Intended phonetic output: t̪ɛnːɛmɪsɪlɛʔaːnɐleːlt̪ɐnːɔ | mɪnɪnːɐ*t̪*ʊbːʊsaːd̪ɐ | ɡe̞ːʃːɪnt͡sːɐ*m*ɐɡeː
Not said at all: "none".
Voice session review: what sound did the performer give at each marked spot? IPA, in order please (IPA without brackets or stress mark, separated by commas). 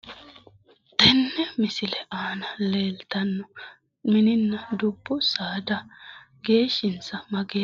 d̪, m